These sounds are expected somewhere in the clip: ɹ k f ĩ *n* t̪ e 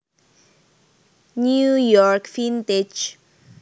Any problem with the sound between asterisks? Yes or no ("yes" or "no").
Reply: no